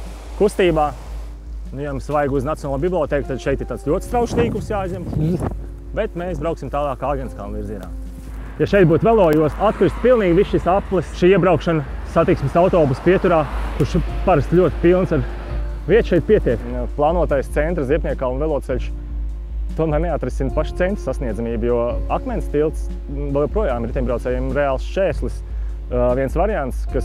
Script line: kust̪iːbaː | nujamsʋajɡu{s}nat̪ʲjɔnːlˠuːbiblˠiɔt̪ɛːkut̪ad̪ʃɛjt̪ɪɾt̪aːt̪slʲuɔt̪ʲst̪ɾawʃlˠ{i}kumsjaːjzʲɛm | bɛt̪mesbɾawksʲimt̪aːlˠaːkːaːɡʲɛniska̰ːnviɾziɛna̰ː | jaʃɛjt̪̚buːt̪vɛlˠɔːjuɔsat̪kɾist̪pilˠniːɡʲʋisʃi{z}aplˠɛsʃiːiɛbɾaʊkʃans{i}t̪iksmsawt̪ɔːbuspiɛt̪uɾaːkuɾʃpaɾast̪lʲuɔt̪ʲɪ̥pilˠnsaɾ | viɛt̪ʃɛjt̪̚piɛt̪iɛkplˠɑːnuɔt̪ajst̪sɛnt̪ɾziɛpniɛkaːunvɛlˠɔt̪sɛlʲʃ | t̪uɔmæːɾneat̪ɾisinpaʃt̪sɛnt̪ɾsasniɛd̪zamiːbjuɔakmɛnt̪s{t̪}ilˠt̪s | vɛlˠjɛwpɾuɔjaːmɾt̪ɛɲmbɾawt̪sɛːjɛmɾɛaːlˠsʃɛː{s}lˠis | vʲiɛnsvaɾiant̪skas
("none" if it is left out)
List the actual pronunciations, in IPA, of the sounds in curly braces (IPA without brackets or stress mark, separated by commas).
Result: z, iː, s, a, t̪, s